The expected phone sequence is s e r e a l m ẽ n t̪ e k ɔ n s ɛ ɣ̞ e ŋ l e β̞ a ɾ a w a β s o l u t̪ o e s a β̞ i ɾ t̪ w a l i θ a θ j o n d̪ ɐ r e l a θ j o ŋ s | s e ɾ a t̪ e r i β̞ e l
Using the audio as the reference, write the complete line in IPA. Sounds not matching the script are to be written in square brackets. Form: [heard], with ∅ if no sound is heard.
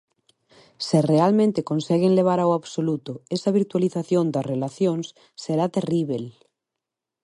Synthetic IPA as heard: s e r e a l m ẽ n t̪ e k [o] n s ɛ ɣ̞ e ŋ l e β̞ a ɾ a w a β s o l u t̪ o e s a β̞ i ɾ t̪ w a l i θ a θ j o n d̪ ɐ r e l a θ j o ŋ s | s e ɾ a t̪ e r i β̞ e l